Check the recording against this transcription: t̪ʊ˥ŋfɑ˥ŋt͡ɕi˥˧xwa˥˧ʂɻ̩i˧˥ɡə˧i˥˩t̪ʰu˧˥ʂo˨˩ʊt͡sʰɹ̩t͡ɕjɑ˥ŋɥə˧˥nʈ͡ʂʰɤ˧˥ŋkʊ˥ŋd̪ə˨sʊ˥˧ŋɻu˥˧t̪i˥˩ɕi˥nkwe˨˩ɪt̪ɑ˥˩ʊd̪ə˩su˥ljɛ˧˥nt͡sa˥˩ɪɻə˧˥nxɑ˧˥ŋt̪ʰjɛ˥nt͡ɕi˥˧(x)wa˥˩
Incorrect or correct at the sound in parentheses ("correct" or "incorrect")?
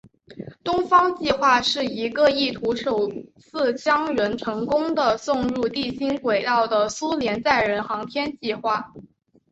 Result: correct